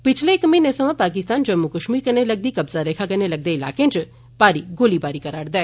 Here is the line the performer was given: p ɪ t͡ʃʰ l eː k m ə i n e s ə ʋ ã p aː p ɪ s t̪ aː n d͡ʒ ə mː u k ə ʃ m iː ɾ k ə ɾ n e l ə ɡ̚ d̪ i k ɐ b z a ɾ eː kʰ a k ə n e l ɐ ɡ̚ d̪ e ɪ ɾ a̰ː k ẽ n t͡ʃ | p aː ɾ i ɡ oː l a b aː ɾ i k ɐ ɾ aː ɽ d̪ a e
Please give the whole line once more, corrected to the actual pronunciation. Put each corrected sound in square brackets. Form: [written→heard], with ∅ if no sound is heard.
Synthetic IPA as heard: p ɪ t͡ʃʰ l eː k m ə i n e s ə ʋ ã p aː [p→k] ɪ s t̪ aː n d͡ʒ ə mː u k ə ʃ m iː ɾ k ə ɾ n e l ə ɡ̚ d̪ i k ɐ b z a ɾ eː kʰ a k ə n e l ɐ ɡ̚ d̪ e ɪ [ɾ→l] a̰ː k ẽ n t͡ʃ | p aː ɾ i ɡ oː l [a→i] b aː ɾ i k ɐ ɾ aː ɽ d̪ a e